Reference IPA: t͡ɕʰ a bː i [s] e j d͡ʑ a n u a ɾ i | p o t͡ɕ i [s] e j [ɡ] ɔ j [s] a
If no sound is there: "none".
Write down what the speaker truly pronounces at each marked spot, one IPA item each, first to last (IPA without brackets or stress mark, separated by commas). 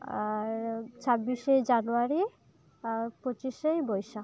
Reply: ʃ, ʃ, b, ʃ